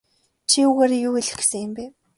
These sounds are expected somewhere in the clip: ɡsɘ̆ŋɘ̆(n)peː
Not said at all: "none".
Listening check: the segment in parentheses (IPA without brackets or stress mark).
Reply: m